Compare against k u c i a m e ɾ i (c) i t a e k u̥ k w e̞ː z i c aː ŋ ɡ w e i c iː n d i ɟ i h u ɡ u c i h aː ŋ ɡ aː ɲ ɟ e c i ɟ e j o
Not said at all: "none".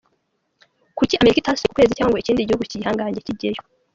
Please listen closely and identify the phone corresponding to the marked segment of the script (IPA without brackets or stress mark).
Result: k